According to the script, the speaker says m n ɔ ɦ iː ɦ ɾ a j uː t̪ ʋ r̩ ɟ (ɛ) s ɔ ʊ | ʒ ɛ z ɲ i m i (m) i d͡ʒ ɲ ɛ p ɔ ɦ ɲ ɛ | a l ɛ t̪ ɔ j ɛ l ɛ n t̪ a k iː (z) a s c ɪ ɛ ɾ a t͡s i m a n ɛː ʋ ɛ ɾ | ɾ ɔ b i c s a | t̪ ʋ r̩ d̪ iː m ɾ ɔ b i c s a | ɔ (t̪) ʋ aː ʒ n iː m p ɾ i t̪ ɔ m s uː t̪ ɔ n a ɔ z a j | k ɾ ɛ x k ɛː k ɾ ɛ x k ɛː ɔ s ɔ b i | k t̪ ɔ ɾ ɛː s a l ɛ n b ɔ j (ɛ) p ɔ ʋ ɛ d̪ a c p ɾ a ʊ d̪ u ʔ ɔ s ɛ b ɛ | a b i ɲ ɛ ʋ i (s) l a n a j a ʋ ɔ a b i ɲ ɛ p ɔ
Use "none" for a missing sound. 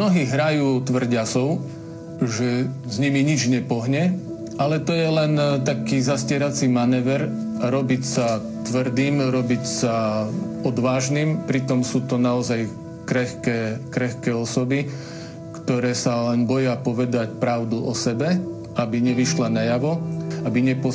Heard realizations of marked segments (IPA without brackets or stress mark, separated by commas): a, ɲ, z, d̪, a, ʃ